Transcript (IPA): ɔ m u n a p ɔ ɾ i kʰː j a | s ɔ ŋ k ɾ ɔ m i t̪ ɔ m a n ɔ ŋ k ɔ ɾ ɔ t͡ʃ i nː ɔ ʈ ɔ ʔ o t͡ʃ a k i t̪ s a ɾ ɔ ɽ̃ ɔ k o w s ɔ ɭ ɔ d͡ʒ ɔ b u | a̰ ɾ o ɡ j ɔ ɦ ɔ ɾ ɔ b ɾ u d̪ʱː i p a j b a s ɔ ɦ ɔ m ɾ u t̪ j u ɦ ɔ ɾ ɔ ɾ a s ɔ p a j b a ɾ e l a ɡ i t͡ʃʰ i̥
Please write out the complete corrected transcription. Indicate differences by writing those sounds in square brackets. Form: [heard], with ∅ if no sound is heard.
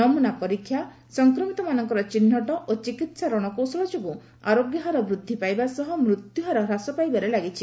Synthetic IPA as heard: ɔ m u n a p ɔ ɾ i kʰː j a | s ɔ ŋ k ɾ ɔ m i t̪ ɔ m a n ɔ ŋ k ɔ ɾ ɔ t͡ʃ i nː ɔ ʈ ɔ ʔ o t͡ʃ [i] k i t̪ s a ɾ ɔ ɽ̃ ɔ k o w s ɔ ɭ ɔ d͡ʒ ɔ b u | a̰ ɾ o ɡ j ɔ ɦ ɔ ɾ ɔ b ɾ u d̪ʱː i p a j b a s ɔ ɦ ɔ m ɾ u t̪ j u ɦ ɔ ɾ ɔ ɾ a s ɔ p a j b a ɾ e l a ɡ i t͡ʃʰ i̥